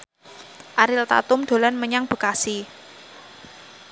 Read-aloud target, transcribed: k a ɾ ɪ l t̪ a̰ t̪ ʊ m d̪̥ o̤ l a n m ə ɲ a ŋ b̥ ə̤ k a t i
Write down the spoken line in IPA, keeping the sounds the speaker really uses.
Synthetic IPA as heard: ʔ a ɾ ɪ l t̪ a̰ t̪ ʊ m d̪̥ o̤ l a n m ə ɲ a ŋ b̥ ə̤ k a s i